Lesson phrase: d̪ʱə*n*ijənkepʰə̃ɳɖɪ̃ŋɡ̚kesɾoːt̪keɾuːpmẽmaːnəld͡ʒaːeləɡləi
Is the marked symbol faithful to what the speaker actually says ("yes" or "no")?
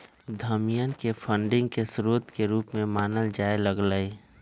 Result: no